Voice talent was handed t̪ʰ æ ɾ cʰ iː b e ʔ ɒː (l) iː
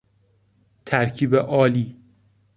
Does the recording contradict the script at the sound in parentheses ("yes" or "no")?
no